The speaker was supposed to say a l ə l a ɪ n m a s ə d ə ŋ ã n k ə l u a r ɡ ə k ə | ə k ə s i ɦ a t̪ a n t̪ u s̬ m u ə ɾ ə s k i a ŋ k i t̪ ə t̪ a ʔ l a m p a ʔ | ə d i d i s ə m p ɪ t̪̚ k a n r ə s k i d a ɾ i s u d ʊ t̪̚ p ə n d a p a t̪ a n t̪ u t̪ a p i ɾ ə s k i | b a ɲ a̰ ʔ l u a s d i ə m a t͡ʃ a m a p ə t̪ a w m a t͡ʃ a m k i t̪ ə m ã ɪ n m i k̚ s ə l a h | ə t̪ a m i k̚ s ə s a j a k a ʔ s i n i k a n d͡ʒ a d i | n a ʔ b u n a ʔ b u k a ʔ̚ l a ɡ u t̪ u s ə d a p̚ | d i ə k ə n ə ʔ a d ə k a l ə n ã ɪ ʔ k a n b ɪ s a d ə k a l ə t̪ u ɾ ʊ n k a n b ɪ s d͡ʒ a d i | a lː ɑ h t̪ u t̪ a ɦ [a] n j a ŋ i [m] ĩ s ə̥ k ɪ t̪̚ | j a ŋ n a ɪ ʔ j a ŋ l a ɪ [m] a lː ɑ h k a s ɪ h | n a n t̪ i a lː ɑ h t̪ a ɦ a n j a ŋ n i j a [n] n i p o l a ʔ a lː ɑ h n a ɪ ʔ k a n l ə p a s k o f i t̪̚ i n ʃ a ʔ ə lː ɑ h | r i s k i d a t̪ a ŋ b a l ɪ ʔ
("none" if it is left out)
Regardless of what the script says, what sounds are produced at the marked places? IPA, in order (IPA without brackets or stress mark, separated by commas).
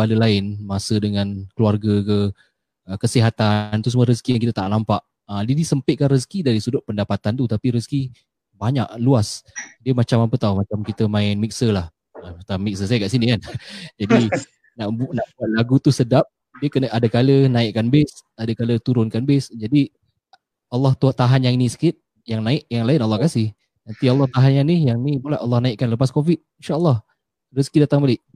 a, n, n, ŋ